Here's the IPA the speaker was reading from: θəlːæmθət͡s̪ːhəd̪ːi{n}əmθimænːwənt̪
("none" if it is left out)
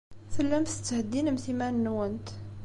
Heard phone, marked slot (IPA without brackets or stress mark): n